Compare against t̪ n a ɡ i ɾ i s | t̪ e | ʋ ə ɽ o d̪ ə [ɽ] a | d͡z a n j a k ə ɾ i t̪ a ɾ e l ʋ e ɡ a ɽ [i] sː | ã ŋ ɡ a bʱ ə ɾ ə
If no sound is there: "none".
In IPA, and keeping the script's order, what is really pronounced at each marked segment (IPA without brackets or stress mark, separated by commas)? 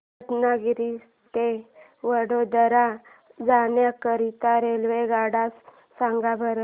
ɾ, a